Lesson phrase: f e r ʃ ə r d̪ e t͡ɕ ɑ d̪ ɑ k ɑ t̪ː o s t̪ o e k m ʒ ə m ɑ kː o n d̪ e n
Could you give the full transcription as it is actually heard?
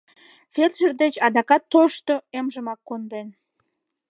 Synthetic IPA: f e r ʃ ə r d̪ e t͡ɕ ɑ d̪ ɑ k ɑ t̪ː o ʃ t̪ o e m ʒ ə m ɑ kː o n d̪ e n